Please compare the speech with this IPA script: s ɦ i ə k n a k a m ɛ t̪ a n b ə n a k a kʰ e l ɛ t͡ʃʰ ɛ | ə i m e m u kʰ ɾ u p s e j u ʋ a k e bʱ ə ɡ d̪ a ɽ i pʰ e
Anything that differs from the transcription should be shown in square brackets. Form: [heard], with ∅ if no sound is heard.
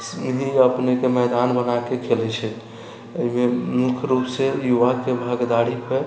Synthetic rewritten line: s ɦ i ə [p] n [e] k [e] m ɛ [d̪] a n b ə n a k [e] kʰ e l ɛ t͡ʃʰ ɛ | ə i m e m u kʰ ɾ u p s e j u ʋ a k e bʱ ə ɡ d̪ a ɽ i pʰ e

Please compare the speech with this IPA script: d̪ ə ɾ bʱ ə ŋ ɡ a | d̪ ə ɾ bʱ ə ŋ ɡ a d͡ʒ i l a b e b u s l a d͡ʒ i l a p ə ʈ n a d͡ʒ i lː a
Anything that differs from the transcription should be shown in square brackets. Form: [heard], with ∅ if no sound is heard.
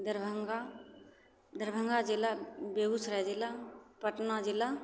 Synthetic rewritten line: d̪ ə ɾ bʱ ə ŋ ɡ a | d̪ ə ɾ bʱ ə ŋ ɡ a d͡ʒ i l a b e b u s [ɾ] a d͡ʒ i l a p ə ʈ n a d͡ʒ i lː a

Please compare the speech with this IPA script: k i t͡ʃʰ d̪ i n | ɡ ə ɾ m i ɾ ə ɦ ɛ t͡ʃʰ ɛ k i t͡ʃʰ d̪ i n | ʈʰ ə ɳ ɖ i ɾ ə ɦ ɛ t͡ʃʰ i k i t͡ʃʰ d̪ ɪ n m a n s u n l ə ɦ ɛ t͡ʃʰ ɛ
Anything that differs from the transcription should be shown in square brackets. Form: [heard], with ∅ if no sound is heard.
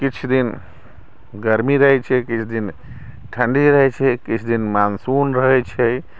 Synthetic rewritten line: k i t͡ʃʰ d̪ i n | ɡ ə ɾ m i ɾ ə ɦ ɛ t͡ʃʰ ɛ k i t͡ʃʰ d̪ i n | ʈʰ ə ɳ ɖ i ɾ ə ɦ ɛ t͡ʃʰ [ɛ] k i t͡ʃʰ d̪ [i] n m a n s u n [ɾ] ə ɦ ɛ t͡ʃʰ ɛ

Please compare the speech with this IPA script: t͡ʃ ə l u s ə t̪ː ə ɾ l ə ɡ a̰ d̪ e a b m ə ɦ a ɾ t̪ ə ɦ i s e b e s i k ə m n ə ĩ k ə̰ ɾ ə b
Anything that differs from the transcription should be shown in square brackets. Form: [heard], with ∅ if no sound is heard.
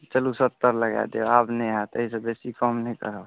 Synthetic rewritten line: t͡ʃ ə l u s ə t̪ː ə ɾ l ə ɡ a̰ d̪ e a b [n] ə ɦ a [∅] t̪ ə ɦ i s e b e s i k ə m n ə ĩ k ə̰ ɾ ə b

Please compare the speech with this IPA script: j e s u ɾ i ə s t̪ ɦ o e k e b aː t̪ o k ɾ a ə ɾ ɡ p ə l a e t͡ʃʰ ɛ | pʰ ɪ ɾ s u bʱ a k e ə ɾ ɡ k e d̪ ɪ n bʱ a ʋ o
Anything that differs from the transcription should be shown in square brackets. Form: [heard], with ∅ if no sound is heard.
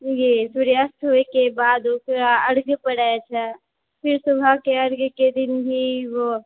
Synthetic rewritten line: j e s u ɾ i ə s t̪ ɦ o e k e b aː [d̪] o k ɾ a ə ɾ ɡ p ə [ɽ] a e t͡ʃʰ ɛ | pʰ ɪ ɾ s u bʱ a k e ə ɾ ɡ k e d̪ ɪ n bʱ [i] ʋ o

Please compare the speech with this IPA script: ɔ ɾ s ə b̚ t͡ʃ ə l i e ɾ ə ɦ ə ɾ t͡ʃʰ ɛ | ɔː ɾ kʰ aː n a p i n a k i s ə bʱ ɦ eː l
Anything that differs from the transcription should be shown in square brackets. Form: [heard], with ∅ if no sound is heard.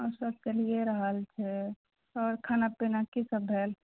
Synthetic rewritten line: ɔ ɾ s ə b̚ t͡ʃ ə l i e ɾ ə ɦ ə [l] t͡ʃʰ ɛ | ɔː ɾ kʰ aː n a p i n a k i s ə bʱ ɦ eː l

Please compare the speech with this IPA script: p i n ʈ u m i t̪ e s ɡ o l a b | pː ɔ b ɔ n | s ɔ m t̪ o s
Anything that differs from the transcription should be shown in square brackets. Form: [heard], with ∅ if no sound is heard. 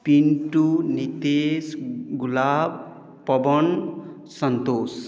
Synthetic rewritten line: p i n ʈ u [n] i t̪ e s ɡ [u] l a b | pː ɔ b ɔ n | s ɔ [n] t̪ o s

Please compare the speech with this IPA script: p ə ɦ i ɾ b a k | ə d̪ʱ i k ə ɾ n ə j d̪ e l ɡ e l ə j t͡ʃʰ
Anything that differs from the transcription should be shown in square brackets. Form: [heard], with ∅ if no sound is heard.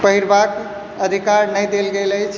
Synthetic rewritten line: p ə ɦ i ɾ b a k | ə d̪ʱ i k [a] ɾ n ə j d̪ e l ɡ e l ə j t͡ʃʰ

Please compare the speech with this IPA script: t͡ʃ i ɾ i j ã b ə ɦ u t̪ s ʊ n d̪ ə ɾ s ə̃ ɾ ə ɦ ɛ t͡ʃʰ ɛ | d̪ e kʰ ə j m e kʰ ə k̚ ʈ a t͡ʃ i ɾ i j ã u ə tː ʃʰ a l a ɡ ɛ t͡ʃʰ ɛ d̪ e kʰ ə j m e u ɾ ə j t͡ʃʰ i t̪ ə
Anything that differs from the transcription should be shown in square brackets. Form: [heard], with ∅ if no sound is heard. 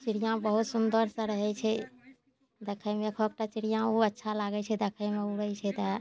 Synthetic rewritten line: t͡ʃ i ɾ i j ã b ə ɦ u t̪ s [u] n d̪ ə ɾ s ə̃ ɾ ə ɦ ɛ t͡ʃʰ ɛ | d̪ e kʰ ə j m e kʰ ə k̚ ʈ a t͡ʃ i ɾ i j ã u ə tː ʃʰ a l a ɡ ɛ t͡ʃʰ ɛ d̪ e kʰ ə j m e u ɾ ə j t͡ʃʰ [ɛ] t̪ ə

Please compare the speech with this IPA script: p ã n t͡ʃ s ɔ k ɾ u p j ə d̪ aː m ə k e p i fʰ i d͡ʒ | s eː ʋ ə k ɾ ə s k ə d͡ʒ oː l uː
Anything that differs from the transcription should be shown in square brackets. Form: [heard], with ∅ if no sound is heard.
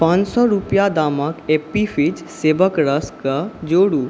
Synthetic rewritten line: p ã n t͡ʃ s ɔ [∅] ɾ u p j [a] d̪ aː m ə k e p i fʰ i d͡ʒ | s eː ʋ ə k ɾ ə s k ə d͡ʒ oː [ɽ] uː

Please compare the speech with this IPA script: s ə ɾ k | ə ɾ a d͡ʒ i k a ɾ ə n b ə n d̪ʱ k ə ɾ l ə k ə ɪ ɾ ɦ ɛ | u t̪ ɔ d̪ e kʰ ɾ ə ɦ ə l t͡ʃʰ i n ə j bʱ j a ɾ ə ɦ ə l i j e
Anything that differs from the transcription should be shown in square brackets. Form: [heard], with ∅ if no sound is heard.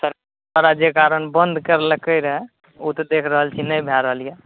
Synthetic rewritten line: s ə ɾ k | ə ɾ a d͡ʒ [e] k a ɾ ə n b ə n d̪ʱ k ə ɾ l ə k ə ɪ ɾ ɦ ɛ | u t̪ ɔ d̪ e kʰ ɾ ə ɦ ə l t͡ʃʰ i n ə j bʱ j a ɾ ə ɦ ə l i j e

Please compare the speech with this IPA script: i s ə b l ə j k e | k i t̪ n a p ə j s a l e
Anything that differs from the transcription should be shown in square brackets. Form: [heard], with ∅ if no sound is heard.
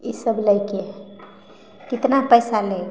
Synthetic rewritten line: i s ə b l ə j k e | k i t̪ n a p ə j s a l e

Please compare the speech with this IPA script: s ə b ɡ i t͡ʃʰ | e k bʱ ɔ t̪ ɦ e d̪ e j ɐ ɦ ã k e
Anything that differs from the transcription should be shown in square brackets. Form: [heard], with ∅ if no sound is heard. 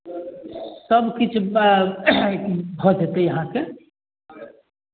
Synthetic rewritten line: s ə b [k] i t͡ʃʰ | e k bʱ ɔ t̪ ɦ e [t̪] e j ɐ ɦ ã k e

